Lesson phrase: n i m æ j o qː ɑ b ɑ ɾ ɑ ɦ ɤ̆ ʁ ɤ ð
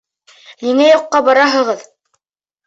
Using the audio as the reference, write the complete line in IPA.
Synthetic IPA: n i ŋ æ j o qː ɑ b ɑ ɾ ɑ ɦ ɤ̆ ʁ ɤ ð